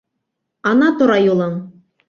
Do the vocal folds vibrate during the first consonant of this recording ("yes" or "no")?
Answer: yes